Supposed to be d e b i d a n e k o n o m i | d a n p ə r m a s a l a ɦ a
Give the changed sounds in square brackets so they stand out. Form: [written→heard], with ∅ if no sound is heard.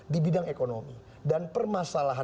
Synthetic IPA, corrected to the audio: d [e→i] b i d a [n→ŋ] e k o n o m i | d a n p ə r m a s a l a ɦ a